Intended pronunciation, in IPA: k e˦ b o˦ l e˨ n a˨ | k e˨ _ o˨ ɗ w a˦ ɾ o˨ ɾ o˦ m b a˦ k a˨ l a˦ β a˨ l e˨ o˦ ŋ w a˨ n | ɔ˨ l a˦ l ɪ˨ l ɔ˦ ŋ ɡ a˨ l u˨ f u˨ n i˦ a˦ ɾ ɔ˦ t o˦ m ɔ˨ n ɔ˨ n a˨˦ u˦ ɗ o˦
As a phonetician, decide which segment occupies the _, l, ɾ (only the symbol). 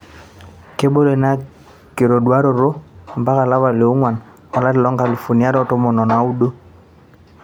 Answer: ɾ